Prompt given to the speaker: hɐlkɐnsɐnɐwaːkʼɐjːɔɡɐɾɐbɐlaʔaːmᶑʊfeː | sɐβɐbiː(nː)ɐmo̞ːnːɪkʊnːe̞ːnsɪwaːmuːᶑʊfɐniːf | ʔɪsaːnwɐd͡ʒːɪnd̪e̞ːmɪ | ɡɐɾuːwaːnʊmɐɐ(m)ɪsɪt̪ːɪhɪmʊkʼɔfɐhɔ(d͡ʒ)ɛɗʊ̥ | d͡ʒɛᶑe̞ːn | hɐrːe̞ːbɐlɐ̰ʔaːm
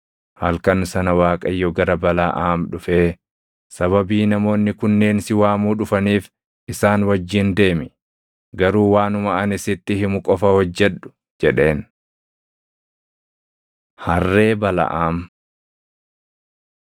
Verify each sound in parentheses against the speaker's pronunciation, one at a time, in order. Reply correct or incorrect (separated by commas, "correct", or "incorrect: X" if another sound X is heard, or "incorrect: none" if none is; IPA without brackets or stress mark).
incorrect: n, incorrect: n, incorrect: d͡ʒː